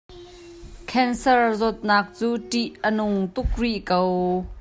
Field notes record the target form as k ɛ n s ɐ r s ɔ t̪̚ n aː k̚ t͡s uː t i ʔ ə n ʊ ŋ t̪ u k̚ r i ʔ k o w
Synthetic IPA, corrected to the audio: kʰ ɛ n s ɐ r z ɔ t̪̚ n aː k̚ t͡s uː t i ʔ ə n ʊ ŋ t̪ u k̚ r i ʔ k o w